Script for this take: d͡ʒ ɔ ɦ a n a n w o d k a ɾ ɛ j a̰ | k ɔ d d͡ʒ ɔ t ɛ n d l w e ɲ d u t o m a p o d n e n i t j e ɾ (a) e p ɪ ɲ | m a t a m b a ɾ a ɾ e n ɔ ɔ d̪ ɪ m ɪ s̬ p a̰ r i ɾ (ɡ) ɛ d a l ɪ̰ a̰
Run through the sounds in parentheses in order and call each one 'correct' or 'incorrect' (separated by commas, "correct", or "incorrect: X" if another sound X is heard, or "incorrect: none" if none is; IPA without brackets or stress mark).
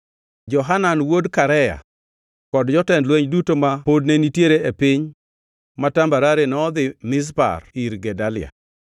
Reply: incorrect: e, correct